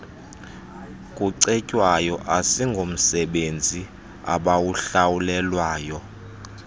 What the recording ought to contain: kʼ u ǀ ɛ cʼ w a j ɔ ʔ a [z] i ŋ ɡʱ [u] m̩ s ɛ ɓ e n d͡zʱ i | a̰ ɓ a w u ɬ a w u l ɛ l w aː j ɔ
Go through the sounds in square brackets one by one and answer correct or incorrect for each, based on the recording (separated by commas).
incorrect, incorrect